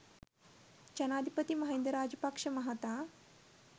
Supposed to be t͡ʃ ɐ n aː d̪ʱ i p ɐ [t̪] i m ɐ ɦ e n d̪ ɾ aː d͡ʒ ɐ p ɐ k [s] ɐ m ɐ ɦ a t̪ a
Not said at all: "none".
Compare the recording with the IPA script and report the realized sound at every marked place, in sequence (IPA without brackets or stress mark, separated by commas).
t̪, ʂ